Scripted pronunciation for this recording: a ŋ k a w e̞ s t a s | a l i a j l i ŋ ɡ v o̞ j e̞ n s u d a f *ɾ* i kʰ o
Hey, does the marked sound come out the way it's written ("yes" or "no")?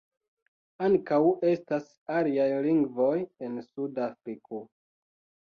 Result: yes